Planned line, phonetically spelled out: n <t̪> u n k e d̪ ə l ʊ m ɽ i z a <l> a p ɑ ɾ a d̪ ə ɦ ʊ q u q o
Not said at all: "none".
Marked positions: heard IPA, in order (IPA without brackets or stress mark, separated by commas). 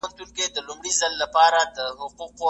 t̪, lː